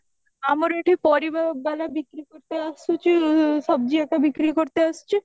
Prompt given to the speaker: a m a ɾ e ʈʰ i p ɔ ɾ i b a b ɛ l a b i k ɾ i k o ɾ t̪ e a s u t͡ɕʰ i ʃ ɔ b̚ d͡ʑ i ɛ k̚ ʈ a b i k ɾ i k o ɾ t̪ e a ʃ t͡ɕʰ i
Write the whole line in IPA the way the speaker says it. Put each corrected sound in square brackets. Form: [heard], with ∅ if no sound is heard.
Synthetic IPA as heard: a m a ɾ e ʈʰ i p ɔ ɾ i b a b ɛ l a b i k ɾ i k o ɾ t̪ e a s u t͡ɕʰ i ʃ ɔ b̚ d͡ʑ i ɛ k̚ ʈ a b i k ɾ i k o ɾ t̪ e a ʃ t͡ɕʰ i

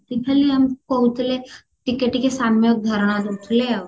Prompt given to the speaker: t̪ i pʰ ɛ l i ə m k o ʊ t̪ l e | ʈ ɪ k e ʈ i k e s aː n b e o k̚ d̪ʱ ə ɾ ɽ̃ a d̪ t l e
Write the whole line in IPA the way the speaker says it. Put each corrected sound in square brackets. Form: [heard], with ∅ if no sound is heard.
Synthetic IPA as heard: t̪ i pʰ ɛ l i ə m k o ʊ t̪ l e | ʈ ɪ k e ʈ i k e s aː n [m] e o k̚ d̪ʱ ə ɾ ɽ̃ a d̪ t l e

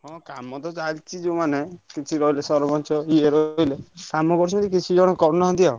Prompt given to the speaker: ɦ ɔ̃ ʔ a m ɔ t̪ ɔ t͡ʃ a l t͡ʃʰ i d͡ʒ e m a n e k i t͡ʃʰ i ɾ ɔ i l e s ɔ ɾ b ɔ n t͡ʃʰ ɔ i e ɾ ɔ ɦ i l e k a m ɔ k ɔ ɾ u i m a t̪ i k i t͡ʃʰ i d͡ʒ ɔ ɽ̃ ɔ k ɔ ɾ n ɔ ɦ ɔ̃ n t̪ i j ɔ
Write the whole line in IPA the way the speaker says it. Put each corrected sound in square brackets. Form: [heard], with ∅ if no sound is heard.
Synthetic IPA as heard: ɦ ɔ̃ [k] a m ɔ t̪ ɔ t͡ʃ a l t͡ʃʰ i d͡ʒ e m a n e k i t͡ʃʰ i ɾ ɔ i l e s ɔ ɾ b ɔ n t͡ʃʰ ɔ i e ɾ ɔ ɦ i l e k a m ɔ k ɔ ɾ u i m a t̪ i k i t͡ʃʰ i d͡ʒ ɔ ɽ̃ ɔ k ɔ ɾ n ɔ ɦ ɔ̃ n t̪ i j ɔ

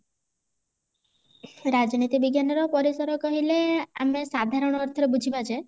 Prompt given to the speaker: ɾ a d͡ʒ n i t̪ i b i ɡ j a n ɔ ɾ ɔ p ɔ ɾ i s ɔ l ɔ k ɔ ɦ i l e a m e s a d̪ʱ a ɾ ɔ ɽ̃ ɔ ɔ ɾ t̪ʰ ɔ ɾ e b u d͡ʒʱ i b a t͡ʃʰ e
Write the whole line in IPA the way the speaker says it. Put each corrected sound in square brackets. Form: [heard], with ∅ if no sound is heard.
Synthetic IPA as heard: ɾ a d͡ʒ n i t̪ i b i ɡ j a n ɔ ɾ ɔ p ɔ ɾ i s ɔ [ɾ] ɔ k ɔ ɦ i l e a m e s a d̪ʱ a ɾ ɔ ɽ̃ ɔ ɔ ɾ t̪ʰ ɔ ɾ e b u d͡ʒʱ i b a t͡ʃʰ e

